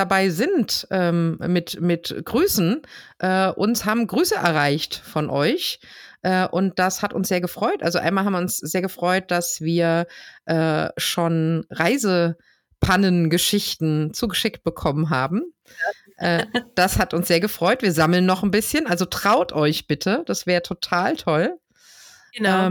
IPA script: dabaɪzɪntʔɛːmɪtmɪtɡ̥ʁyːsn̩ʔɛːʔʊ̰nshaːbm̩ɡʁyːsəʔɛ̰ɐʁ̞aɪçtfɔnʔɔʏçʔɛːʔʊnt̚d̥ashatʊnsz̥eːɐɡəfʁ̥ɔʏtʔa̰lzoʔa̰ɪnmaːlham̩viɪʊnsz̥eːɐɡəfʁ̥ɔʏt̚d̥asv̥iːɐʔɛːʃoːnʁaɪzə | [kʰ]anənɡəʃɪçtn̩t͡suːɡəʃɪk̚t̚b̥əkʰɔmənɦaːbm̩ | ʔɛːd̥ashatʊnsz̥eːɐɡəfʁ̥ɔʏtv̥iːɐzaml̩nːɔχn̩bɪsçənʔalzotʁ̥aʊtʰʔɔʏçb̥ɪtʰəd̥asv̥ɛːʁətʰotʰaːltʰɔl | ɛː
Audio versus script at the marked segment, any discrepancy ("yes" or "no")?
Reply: yes